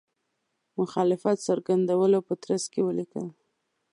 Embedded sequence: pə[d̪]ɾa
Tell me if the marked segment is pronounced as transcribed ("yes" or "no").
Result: no